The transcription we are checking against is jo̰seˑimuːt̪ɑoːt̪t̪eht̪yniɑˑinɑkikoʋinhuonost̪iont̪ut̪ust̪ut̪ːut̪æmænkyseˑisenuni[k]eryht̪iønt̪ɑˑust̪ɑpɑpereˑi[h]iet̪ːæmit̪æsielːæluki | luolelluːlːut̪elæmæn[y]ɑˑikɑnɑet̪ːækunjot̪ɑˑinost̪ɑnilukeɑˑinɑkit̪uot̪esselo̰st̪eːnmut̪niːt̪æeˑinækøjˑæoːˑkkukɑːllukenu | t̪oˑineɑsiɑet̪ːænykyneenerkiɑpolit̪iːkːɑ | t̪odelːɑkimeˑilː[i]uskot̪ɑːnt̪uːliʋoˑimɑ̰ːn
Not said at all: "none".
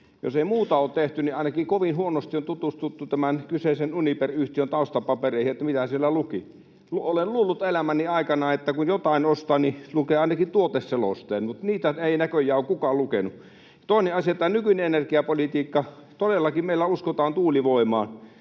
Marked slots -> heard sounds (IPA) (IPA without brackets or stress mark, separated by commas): p, h, i, æ